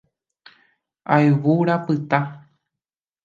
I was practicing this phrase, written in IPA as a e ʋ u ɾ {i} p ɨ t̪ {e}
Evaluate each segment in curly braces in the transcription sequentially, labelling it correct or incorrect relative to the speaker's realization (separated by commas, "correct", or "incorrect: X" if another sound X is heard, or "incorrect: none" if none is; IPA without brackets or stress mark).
incorrect: a, incorrect: a